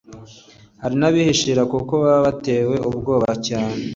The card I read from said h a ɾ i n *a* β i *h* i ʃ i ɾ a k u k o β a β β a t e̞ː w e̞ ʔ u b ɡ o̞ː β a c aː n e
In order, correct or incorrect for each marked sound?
correct, correct

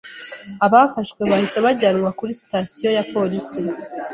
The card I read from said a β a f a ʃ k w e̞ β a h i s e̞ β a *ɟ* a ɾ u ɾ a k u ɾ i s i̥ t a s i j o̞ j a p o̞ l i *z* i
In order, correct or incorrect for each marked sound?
correct, incorrect: s

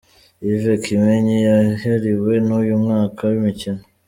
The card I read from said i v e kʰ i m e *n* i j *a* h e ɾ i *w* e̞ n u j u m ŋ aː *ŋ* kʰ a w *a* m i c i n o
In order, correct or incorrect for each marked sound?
incorrect: ɲ, correct, correct, incorrect: none, incorrect: i

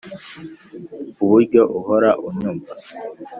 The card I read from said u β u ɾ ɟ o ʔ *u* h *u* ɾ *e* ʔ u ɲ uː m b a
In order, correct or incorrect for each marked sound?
correct, incorrect: o, incorrect: a

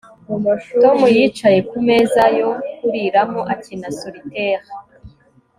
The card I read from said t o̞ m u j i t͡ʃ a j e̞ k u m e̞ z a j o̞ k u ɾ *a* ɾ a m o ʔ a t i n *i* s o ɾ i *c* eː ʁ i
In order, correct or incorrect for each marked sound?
incorrect: i, incorrect: a, incorrect: t

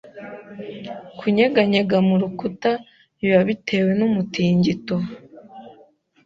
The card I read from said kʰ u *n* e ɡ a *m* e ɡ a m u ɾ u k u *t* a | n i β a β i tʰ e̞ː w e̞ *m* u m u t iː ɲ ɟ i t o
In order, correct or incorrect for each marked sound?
incorrect: ɲ, incorrect: ɲ, correct, incorrect: n

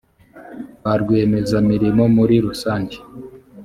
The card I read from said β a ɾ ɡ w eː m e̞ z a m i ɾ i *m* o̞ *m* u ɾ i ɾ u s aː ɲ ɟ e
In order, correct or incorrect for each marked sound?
correct, correct

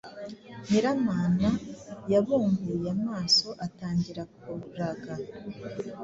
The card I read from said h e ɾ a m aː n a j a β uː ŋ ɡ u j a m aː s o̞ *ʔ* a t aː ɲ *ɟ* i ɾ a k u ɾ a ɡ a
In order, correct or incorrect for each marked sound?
correct, correct

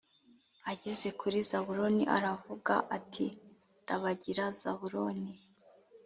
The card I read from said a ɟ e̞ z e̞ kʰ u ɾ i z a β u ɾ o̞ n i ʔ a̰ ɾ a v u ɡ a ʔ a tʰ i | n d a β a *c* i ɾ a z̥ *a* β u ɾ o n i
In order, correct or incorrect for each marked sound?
incorrect: ɟ, correct

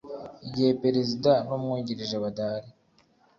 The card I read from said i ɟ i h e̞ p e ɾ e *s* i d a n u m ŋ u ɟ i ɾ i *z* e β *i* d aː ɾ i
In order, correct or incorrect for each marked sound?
incorrect: z, incorrect: ʒ, incorrect: a

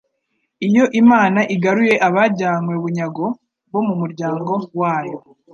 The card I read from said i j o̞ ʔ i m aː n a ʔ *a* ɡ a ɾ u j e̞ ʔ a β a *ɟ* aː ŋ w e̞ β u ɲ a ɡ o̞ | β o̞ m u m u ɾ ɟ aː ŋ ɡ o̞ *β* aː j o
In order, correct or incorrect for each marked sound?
incorrect: i, correct, incorrect: w

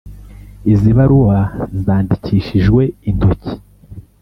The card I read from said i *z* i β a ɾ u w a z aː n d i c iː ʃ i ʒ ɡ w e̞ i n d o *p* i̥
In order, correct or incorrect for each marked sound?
correct, incorrect: c

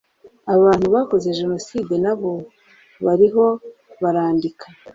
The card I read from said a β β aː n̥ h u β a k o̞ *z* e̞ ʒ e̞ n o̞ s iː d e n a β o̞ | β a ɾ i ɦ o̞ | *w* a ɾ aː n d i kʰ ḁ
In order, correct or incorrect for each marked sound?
correct, incorrect: β

